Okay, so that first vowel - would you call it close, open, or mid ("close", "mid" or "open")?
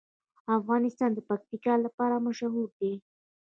open